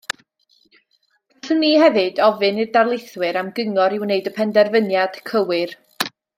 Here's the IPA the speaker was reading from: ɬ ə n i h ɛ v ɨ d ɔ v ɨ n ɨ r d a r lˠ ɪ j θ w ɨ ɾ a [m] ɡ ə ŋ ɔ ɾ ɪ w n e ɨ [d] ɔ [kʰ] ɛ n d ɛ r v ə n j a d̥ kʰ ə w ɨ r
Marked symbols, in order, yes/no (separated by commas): yes, yes, no